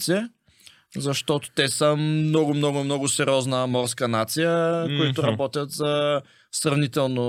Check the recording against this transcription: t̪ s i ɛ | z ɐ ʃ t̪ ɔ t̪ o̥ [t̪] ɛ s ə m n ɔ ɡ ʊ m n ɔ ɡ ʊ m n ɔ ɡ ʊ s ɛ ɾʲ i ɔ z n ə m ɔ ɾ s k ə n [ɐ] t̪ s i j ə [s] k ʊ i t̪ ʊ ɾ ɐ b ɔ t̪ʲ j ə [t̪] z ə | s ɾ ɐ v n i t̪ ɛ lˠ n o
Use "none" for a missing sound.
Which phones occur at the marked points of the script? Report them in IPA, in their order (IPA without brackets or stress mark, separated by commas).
t̪, a, none, t̪